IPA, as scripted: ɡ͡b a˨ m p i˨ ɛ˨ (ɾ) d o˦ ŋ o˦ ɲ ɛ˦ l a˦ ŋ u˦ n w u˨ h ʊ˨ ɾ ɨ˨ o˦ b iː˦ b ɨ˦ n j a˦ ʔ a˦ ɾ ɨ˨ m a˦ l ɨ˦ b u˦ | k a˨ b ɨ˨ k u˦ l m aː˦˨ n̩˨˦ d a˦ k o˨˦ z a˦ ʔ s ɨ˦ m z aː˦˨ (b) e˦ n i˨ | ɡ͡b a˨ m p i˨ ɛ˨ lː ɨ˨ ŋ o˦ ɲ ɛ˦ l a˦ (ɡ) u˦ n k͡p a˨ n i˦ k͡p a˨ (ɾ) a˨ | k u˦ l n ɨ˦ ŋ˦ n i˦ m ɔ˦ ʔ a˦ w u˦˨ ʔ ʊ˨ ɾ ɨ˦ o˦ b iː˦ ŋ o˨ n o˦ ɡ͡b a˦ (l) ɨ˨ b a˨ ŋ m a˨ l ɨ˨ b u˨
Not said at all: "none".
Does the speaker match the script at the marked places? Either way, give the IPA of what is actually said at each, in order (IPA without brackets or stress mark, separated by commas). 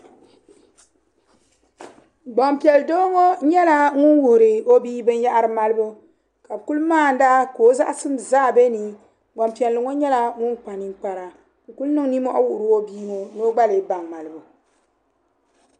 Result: l, b, ŋ, ɾ, l